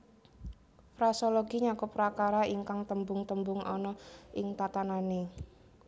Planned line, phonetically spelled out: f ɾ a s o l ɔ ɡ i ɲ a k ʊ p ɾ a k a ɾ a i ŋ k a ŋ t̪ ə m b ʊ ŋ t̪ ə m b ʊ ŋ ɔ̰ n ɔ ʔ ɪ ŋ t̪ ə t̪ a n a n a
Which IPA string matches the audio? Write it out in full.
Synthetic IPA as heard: f ɾ a s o l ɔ ɡ i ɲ a k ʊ p ɾ a k a ɾ a i ŋ k a ŋ t̪ ə m b ʊ ŋ t̪ ə m b ʊ ŋ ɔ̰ n ɔ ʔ ɪ ŋ t̪ a t̪ a n a n e